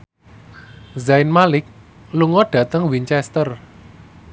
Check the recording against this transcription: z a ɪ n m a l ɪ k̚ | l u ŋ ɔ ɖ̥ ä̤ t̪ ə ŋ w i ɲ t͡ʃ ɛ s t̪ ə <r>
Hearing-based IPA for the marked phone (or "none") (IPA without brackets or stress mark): r